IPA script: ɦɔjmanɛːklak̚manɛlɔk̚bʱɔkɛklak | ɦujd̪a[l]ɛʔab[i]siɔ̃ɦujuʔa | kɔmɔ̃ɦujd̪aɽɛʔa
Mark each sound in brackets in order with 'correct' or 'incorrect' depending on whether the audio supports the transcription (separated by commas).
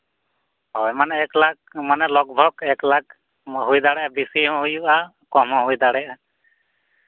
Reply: incorrect, correct